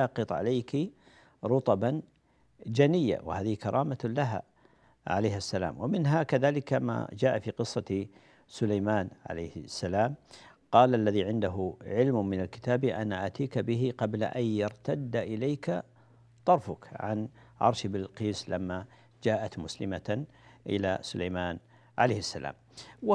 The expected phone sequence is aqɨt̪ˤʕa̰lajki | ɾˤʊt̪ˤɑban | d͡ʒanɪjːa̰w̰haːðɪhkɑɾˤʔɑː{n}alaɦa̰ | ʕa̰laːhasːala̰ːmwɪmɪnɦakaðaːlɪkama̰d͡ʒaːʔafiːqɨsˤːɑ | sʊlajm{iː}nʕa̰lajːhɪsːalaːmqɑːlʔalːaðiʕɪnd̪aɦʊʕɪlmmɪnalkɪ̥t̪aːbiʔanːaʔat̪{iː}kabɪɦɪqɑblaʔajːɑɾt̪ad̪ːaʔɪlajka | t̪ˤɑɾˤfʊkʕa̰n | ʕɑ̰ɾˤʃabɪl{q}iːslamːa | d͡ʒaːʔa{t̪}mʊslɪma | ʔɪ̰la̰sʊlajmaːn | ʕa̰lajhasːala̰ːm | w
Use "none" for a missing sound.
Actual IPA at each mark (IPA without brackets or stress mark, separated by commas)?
m, aː, iː, q, t̪